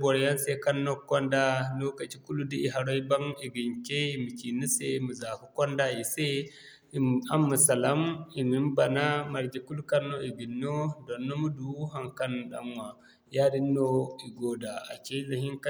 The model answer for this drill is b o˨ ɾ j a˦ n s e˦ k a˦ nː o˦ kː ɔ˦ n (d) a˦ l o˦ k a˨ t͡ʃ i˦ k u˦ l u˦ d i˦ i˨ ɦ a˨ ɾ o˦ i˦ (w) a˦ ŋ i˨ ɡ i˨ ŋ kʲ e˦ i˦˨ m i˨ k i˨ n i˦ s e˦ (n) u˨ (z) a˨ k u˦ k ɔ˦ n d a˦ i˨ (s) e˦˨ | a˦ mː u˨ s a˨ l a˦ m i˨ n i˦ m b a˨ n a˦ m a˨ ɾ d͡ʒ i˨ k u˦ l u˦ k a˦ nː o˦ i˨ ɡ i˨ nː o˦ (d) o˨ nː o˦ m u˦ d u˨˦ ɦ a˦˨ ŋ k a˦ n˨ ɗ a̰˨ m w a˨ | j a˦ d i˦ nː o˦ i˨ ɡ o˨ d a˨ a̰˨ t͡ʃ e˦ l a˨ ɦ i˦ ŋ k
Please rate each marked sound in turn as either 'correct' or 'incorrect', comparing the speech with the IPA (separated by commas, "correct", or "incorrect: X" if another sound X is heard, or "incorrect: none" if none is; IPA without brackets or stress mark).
correct, incorrect: b, incorrect: m, correct, correct, correct